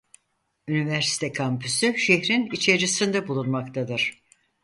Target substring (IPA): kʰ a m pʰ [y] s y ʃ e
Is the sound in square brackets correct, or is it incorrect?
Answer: correct